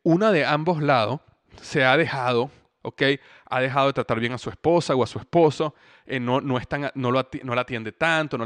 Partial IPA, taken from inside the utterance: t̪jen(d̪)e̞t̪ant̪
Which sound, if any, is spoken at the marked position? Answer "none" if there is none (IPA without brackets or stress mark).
d̪